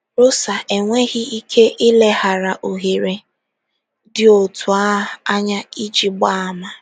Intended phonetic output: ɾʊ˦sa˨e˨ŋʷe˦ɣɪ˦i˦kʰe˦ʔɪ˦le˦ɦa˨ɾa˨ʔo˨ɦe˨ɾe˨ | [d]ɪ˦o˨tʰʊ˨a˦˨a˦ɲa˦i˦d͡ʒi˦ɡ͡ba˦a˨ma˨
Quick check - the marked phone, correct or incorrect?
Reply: correct